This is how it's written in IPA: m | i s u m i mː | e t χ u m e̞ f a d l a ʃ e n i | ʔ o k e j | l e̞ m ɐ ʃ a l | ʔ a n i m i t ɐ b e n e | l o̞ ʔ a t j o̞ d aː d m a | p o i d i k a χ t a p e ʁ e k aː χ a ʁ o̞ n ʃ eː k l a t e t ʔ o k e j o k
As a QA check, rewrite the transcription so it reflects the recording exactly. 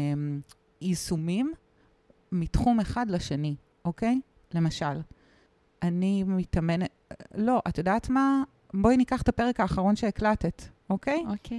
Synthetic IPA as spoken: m | i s u m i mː | i t χ u m e̞ χ a d l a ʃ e n i | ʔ o k e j | l e̞ m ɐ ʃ a l | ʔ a n i m i t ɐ m e n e | l o̞ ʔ a t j o̞ d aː t m a | b o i n i k a χ t a p e ʁ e k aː χ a ʁ o̞ n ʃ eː k l a t e t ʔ o k e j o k